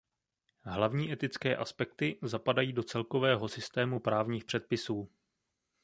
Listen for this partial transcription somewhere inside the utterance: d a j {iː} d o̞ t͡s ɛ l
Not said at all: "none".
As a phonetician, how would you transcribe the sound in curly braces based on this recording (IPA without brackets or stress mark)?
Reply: iː